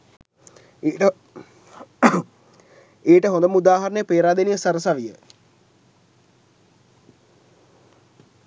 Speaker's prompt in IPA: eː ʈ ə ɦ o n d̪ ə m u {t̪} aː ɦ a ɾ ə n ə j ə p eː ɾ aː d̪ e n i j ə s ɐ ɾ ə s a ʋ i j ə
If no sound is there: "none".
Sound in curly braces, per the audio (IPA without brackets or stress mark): d̪